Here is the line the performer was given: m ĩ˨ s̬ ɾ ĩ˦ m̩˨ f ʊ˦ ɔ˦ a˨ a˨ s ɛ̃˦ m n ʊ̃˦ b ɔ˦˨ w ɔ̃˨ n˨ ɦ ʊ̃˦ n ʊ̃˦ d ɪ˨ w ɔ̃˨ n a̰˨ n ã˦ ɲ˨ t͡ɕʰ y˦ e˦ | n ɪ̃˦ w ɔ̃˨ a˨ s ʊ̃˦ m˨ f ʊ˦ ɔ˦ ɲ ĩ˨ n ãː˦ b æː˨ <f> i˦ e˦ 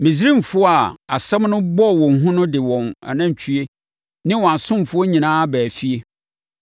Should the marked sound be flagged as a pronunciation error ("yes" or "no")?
no